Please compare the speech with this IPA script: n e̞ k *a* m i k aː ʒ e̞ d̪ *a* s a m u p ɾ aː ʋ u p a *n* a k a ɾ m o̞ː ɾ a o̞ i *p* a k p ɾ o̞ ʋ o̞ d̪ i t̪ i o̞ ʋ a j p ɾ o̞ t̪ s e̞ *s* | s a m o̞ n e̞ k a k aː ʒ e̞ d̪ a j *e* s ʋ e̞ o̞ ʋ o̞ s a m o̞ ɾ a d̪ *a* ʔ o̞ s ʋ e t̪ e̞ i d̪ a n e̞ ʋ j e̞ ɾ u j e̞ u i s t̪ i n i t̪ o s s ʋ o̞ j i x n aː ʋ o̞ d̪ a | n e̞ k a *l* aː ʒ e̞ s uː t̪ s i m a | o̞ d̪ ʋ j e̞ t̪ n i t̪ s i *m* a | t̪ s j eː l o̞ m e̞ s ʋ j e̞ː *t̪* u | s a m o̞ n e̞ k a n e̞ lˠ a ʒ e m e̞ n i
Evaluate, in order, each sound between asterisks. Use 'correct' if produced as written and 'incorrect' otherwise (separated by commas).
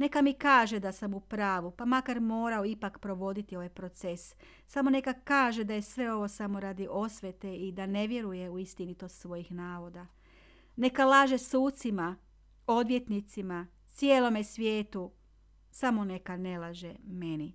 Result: correct, correct, incorrect, correct, correct, correct, incorrect, correct, correct, correct